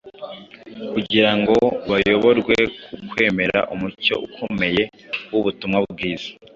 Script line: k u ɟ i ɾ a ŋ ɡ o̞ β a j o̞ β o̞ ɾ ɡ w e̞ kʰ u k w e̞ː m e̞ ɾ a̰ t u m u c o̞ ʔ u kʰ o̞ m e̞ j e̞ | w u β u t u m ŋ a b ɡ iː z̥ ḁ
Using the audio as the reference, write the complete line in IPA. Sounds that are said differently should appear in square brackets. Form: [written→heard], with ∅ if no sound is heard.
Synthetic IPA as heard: k u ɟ i ɾ a ŋ ɡ o̞ β a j o̞ β o̞ ɾ ɡ w e̞ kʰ u k w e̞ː m e̞ ɾ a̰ [t→ʔ] u m u c o̞ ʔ u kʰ o̞ m e̞ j e̞ | w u β u t u m ŋ a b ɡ iː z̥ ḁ